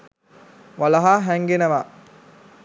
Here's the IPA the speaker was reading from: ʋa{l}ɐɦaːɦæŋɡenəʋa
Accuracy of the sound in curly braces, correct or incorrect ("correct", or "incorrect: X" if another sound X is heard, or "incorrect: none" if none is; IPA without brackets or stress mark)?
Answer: correct